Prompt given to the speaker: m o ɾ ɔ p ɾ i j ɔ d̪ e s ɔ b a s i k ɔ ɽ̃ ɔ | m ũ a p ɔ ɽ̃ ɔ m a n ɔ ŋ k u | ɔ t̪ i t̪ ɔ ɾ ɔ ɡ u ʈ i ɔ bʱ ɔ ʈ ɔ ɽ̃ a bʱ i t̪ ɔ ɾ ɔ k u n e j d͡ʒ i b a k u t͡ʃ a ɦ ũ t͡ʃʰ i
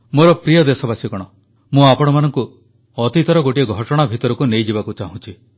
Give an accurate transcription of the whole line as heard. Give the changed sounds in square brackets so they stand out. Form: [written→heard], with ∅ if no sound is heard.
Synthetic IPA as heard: m o ɾ ɔ p ɾ i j ɔ d̪ e s ɔ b a s i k ɔ ɽ̃ ɔ | m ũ a p ɔ ɽ̃ ɔ m a n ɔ ŋ k u | ɔ t̪ i t̪ ɔ ɾ ɔ ɡ [u→o] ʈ i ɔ [bʱ→ɡʱ] ɔ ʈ ɔ ɽ̃ a bʱ i t̪ ɔ ɾ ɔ k u n e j d͡ʒ i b a k u t͡ʃ a ɦ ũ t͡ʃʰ i